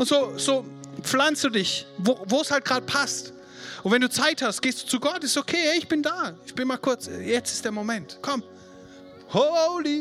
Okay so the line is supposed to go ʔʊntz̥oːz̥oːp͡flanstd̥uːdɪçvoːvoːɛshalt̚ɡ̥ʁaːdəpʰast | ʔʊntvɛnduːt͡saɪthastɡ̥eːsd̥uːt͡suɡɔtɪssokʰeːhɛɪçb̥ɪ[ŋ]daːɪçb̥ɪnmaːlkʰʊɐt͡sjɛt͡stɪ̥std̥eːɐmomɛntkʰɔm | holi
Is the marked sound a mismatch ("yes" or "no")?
yes